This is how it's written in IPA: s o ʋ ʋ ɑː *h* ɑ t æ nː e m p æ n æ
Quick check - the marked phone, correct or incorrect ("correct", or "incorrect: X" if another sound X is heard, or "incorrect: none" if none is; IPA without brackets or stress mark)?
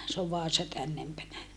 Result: incorrect: s